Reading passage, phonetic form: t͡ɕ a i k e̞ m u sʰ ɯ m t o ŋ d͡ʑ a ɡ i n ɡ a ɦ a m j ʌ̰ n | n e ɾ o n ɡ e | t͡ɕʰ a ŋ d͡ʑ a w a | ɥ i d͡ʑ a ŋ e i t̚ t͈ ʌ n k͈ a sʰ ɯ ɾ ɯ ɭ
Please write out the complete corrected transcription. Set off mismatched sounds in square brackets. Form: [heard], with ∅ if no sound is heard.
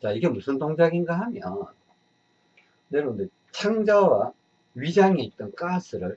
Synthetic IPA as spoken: t͡ɕ a i [ɡ] e̞ m u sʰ ɯ [n] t o ŋ d͡ʑ a ɡ i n ɡ a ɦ a m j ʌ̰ n | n e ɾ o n [d] e | t͡ɕʰ a ŋ d͡ʑ a w a | ɥ i d͡ʑ a ŋ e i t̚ t͈ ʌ n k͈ a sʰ ɯ ɾ ɯ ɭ